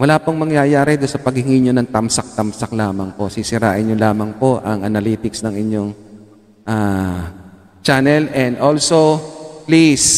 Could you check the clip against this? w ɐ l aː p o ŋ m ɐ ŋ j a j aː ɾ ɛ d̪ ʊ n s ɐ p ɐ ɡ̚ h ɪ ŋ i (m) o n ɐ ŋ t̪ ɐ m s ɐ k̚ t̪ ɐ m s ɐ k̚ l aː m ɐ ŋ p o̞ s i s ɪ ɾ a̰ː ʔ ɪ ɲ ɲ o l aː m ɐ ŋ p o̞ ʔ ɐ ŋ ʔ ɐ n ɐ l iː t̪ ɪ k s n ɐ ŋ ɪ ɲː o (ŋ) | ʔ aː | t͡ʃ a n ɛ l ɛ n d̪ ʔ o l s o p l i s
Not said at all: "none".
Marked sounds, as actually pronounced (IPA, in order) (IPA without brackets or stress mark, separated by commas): ɲ, ŋ